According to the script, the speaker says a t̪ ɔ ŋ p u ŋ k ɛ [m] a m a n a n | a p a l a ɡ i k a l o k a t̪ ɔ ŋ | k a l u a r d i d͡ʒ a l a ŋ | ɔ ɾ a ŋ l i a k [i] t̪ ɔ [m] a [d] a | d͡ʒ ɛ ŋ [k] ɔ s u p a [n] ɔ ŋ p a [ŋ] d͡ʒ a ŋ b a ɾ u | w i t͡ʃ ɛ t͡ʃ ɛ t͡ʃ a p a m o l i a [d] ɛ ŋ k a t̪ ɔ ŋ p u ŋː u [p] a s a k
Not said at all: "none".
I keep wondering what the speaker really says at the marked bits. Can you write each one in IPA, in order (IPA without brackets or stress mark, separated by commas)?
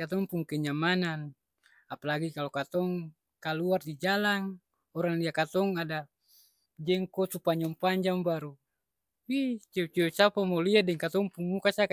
ɲ, a, ŋ, d, k, ɲ, ɲ, d, k